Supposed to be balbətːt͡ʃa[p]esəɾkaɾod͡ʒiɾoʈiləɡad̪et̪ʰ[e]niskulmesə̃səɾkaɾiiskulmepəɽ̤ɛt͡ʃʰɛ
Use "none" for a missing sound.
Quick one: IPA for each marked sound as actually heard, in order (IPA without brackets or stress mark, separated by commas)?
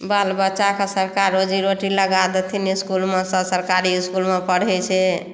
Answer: k, i